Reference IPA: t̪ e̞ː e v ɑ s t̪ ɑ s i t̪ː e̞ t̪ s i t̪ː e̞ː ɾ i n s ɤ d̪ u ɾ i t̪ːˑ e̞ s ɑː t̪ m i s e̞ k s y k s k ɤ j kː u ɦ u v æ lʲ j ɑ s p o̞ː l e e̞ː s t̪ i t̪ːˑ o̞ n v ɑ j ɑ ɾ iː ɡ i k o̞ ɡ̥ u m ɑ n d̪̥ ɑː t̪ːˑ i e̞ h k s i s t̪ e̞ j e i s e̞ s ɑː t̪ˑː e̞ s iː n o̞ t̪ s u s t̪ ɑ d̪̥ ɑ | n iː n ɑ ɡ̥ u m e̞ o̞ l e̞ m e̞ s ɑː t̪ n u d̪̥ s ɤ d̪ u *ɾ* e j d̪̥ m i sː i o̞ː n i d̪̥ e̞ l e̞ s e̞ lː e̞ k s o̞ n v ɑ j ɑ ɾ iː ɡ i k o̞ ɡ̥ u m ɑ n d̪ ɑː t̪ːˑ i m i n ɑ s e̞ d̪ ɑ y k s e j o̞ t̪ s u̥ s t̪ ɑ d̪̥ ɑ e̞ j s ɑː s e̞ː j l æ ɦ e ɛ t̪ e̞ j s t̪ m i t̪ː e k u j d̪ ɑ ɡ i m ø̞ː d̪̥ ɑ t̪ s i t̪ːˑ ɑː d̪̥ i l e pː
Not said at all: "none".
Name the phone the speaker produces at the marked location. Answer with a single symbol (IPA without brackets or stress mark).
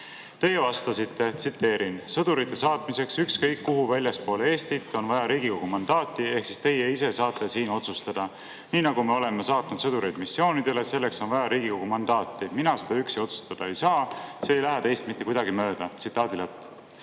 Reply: ɾ